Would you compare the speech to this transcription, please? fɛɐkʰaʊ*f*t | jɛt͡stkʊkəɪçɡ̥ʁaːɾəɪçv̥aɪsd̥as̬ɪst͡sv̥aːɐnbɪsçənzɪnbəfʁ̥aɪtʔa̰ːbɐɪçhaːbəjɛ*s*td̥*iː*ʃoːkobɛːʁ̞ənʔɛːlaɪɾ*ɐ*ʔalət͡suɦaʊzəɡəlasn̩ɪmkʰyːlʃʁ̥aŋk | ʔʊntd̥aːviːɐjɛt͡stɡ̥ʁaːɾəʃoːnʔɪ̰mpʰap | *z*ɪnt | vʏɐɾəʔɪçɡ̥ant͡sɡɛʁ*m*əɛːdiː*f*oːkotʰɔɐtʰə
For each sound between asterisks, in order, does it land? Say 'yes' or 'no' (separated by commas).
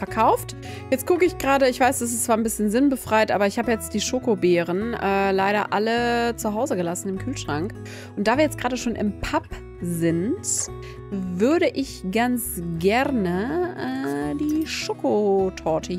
yes, no, yes, yes, yes, no, no